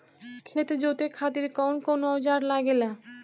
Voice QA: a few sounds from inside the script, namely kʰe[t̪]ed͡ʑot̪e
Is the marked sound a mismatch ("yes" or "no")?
no